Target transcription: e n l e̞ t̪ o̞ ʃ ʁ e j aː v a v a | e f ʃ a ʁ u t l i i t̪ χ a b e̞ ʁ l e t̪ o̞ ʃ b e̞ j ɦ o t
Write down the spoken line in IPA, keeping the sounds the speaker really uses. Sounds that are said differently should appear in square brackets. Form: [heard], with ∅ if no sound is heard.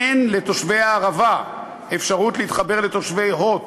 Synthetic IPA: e n l e̞ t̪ o̞ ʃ [v] e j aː [ʁ] a v a | e f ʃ a ʁ u t l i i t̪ χ a b e̞ ʁ l e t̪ o̞ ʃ [v] e̞ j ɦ o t